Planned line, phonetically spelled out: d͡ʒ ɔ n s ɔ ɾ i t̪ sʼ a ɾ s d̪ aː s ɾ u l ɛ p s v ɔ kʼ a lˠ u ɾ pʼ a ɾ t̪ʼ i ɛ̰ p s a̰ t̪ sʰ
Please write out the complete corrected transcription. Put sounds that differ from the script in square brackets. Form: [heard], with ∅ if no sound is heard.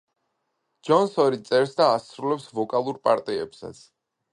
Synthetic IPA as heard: d͡ʒ ɔ n s ɔ ɾ i t̪ sʼ [ɛ] ɾ s d̪ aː s ɾ u l ɛ p s v ɔ kʼ a lˠ u ɾ pʼ a ɾ t̪ʼ i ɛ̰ p s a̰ t̪ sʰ